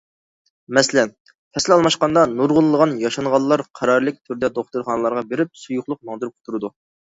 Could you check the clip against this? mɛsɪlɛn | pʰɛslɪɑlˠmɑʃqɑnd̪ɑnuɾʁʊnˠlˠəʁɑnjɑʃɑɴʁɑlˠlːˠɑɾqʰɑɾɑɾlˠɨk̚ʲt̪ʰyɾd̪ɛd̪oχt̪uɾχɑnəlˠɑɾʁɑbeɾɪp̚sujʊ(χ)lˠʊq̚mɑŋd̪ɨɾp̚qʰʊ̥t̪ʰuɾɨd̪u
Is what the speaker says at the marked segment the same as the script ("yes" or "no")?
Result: yes